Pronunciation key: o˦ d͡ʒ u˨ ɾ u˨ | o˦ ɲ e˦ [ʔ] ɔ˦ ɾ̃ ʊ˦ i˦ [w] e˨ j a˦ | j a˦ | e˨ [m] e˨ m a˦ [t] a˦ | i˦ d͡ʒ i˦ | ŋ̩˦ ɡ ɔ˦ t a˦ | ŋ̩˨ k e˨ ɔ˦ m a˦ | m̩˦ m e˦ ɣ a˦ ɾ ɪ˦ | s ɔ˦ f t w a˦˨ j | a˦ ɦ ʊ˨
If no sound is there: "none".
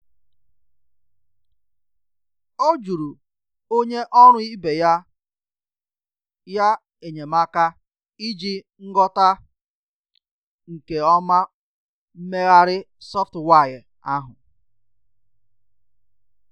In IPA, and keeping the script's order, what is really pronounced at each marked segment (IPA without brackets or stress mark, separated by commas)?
ʔ, b, ɲ, k